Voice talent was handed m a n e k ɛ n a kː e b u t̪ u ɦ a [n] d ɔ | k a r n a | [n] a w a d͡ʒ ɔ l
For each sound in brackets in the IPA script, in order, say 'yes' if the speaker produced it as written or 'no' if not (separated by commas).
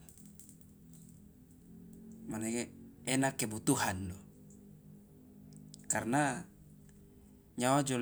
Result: yes, no